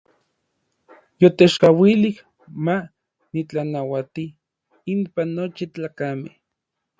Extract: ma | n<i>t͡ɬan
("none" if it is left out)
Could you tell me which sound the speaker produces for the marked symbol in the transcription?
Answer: i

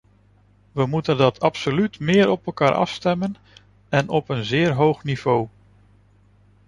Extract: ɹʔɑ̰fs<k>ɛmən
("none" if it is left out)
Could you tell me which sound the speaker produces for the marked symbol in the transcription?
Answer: t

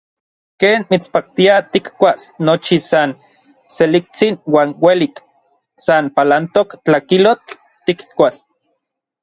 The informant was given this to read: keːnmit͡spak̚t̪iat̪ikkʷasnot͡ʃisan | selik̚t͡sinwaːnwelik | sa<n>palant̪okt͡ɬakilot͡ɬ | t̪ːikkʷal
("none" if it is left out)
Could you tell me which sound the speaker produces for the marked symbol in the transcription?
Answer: n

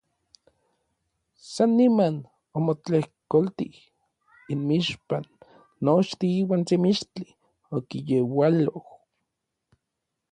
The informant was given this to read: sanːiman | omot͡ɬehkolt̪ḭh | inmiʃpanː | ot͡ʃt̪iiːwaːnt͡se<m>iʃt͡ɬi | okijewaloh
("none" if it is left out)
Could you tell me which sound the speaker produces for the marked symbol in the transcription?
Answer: m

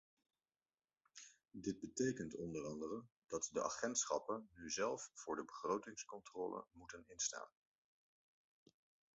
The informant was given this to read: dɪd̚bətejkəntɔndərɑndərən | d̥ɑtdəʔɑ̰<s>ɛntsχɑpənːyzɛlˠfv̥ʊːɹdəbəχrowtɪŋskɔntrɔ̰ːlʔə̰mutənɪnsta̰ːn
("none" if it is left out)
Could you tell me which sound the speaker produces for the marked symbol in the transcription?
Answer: χ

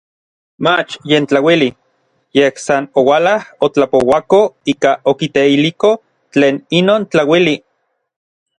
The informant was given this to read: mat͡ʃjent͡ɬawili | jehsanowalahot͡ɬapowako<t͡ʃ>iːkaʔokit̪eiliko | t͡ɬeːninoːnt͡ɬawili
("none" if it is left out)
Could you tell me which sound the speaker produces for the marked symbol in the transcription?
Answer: none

